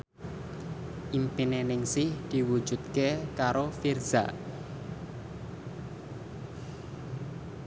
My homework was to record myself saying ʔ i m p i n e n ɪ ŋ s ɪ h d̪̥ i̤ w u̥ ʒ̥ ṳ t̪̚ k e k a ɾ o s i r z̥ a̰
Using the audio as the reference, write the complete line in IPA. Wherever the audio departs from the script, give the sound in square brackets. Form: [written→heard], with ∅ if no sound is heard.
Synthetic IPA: ʔ i m p i n e n ɪ ŋ s ɪ h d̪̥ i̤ w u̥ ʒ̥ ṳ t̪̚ k e k a ɾ o [s→f] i r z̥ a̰